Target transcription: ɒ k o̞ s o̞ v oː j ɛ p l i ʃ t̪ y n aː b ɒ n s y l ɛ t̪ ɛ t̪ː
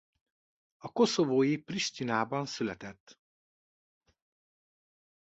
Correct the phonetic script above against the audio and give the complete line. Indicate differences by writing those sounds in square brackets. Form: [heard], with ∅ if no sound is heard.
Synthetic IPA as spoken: ɒ k o̞ s o̞ v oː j [i] p [r] i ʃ t̪ [i] n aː b ɒ n s y l ɛ t̪ ɛ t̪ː

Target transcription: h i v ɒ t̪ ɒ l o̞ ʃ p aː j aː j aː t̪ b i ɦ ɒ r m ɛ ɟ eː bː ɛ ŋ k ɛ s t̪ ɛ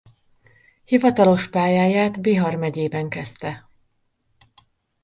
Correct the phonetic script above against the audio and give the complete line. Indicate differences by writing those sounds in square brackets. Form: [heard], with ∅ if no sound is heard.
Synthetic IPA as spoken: h i v ɒ t̪ ɒ l o̞ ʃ p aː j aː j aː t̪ b i ɦ ɒ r m ɛ ɟ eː [b] ɛ ŋ k ɛ s t̪ ɛ

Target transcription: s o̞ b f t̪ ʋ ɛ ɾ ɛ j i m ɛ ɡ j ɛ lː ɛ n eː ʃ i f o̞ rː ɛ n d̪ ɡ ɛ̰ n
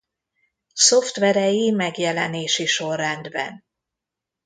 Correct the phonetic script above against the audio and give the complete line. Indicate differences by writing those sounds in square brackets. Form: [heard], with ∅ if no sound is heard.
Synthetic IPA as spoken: s o̞ [∅] f t̪ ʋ ɛ ɾ ɛ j i m ɛ ɡ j ɛ [l] ɛ n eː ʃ i [ʃ] o̞ rː ɛ n d̪ [b] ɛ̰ n

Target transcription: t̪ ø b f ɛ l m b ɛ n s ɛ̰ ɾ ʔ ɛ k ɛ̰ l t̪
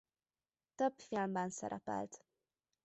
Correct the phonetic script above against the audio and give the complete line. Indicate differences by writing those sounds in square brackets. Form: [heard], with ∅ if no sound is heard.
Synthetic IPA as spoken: t̪ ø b f [i] l m b ɛ n s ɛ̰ ɾ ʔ ɛ [p] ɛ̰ l t̪

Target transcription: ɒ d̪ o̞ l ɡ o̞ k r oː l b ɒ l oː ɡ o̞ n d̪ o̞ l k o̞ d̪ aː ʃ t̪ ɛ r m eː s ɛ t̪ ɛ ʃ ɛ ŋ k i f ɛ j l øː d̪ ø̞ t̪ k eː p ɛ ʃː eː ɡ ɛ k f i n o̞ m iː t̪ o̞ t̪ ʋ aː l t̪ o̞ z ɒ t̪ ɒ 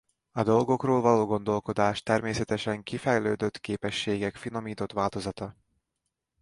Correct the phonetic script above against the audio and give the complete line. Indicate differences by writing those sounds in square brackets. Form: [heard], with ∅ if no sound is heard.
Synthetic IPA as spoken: ɒ d̪ o̞ l ɡ o̞ k r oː l [v] ɒ l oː ɡ o̞ n d̪ o̞ l k o̞ d̪ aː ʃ t̪ ɛ r m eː s ɛ t̪ ɛ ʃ ɛ ŋ k i f ɛ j l øː d̪ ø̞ t̪ k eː p ɛ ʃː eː ɡ ɛ k f i n o̞ m iː t̪ o̞ t̪ ʋ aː l t̪ o̞ z ɒ t̪ ɒ

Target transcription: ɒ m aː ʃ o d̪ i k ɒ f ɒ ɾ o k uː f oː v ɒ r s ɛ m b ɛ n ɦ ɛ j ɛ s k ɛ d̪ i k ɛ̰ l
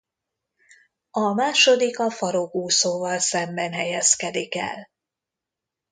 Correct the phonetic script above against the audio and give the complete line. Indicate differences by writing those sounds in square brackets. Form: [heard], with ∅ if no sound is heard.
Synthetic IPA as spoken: ɒ m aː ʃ o d̪ i k ɒ f ɒ ɾ o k uː [s] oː v ɒ [l] s ɛ m b ɛ n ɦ ɛ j ɛ s k ɛ d̪ i k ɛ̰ l

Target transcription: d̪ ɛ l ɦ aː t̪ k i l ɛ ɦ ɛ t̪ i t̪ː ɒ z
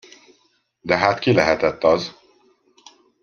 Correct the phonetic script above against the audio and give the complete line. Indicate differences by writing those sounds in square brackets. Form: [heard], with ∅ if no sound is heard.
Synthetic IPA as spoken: d̪ ɛ [∅] ɦ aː t̪ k i l ɛ ɦ ɛ t̪ [ɛ] t̪ː ɒ z

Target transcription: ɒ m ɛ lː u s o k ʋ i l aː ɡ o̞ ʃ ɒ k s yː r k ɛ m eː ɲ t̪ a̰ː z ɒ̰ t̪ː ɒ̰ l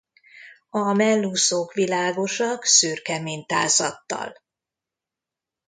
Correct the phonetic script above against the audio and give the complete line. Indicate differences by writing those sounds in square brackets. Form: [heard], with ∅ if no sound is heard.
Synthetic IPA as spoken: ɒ m ɛ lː u s o k ʋ i l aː ɡ o̞ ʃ ɒ k s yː r k ɛ m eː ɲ t̪ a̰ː z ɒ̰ t̪ː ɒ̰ l

